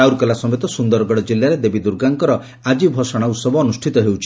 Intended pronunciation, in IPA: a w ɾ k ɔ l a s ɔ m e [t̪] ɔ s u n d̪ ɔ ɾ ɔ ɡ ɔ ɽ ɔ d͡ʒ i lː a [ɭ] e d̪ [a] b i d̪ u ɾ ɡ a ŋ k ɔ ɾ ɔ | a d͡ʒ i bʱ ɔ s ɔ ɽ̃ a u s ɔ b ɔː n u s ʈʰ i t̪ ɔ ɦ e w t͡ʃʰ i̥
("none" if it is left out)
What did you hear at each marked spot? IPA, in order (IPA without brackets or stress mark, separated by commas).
t̪, ɾ, e